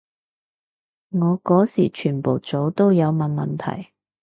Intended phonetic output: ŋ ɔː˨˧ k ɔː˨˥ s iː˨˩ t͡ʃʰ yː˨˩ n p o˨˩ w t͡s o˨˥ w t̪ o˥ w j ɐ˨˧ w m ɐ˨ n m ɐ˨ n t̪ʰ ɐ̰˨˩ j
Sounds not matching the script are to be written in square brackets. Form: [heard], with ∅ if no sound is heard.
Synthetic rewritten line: ŋ ɔː˨˧ k ɔː˨˥ s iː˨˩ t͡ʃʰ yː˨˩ n p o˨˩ w t͡s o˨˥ w t̪ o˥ w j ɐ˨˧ w m ɐ˨ n m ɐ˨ n t̪ʰ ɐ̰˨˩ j